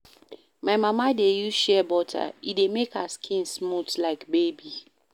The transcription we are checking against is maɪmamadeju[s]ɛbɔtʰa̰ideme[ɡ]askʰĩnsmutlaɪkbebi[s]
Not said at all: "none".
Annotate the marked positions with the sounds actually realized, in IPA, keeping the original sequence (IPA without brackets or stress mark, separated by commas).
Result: ʃ, k, none